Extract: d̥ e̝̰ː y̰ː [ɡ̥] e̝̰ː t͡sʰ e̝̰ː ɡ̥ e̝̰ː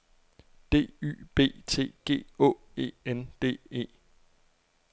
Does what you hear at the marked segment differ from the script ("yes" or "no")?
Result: yes